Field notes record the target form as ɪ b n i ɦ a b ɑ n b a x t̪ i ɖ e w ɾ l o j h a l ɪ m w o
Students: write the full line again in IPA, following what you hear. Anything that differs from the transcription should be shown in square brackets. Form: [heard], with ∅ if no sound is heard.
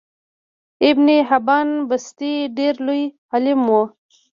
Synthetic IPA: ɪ b n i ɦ a b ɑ n b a [s] t̪ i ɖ e [∅] ɾ l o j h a l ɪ m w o